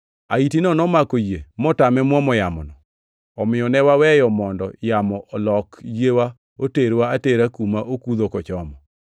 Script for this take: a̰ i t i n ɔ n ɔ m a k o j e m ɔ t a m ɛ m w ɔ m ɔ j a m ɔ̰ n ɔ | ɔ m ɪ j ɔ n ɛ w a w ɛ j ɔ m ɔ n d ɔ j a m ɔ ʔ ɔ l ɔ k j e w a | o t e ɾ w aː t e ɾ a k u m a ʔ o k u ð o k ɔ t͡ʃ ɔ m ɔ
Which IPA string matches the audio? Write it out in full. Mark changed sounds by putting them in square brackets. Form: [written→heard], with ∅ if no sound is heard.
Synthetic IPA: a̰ i t i n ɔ n ɔ m a k o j e m ɔ t a m ɛ m w ɔ m ɔ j a m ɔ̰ n ɔ | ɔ m ɪ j ɔ n ɛ w a w ɛ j ɔ m ɔ n d ɔ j a m ɔ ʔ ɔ l ɔ k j e w a | o t e ɾ w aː t e ɾ a k u m a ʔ o k u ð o k ɔ t͡ʃ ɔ m ɔ